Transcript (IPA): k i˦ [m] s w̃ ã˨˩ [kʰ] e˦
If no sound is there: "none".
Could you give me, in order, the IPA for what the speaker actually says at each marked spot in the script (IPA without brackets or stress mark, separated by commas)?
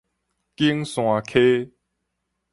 ŋ, kʰ